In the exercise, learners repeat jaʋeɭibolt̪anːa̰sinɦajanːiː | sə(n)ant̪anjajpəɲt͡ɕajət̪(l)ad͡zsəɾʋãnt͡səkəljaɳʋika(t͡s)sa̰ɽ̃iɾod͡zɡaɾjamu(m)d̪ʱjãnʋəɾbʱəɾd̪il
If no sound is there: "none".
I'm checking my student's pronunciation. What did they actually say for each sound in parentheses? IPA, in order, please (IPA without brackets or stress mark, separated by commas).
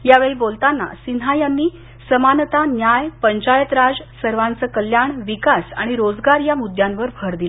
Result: m, ɾ, none, none